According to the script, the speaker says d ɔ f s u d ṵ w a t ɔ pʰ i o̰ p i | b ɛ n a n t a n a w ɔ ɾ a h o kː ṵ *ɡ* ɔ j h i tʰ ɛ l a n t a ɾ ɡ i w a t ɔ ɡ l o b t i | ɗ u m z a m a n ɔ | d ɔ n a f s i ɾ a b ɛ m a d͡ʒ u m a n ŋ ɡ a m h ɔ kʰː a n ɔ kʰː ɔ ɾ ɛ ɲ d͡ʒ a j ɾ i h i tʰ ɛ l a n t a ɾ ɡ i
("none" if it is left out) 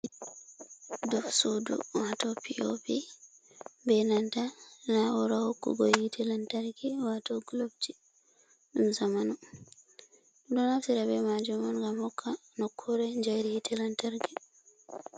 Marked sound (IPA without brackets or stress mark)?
ɡ